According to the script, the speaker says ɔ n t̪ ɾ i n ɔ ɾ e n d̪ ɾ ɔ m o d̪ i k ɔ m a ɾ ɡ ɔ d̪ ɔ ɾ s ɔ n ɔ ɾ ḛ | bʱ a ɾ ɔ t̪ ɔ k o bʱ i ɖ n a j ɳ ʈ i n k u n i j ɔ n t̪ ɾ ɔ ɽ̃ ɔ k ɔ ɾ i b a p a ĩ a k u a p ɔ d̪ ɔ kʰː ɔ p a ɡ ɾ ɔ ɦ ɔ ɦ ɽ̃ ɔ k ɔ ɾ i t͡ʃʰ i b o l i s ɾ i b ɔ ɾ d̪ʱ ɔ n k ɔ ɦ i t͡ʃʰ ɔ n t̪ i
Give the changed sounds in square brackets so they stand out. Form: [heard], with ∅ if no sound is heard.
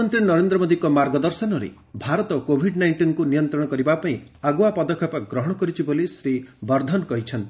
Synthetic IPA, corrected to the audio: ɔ n t̪ ɾ i n ɔ ɾ e n d̪ ɾ ɔ m o d̪ i k ɔ m a ɾ ɡ ɔ d̪ ɔ ɾ s ɔ n ɔ ɾ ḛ | bʱ a ɾ ɔ t̪ ɔ k o bʱ i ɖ n a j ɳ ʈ i n k u n i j ɔ n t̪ ɾ ɔ ɽ̃ ɔ k ɔ ɾ i b a p a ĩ a [ɡ] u a p ɔ d̪ ɔ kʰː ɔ p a ɡ ɾ ɔ ɦ ɔ [∅] ɽ̃ ɔ k ɔ ɾ i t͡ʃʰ i b o l i s ɾ i b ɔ ɾ d̪ʱ ɔ n k ɔ ɦ i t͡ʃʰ ɔ n t̪ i